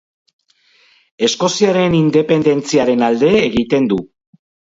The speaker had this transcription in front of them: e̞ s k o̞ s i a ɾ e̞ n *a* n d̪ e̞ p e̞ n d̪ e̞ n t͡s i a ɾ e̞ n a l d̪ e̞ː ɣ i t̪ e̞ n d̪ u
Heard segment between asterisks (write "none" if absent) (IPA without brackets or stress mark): i